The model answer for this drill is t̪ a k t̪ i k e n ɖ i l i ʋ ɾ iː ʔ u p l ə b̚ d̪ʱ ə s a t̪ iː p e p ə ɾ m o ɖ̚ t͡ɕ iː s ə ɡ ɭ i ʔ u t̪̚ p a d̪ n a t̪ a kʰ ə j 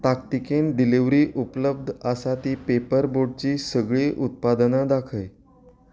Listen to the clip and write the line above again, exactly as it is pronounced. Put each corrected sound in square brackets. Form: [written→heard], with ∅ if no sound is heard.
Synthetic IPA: t̪ a k t̪ i k e n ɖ i l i ʋ ɾ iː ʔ u p l ə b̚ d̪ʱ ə s a t̪ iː p e p ə ɾ [m→b] o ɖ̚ t͡ɕ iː s ə ɡ ɭ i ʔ u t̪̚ p a d̪ n a [t̪→d̪] a kʰ ə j